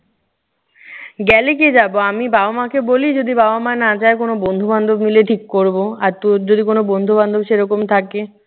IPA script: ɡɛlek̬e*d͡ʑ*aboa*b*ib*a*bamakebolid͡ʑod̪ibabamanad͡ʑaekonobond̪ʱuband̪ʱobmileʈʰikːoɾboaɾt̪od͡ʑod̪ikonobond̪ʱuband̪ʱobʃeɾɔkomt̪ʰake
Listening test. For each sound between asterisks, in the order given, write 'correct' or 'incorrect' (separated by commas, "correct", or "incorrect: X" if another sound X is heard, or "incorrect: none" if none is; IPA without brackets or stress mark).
correct, incorrect: m, correct